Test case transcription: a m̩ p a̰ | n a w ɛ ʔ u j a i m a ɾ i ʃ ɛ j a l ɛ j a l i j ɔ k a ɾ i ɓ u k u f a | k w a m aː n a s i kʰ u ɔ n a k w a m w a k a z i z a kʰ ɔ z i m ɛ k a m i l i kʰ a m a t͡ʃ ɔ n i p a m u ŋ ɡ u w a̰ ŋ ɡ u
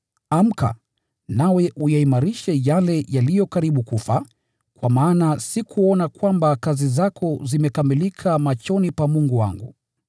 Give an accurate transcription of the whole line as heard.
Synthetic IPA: a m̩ k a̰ | n a w ɛ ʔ u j a i m a ɾ i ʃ ɛ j a l ɛ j a l i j ɔ k a ɾ i ɓ u k u f a | k w a m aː n a s i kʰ u ɔ n a k w a m b a k a z i z a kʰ ɔ z i m ɛ k a m i l i kʰ a m a t͡ʃ ɔ n i p a m u ŋ ɡ u w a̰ ŋ ɡ u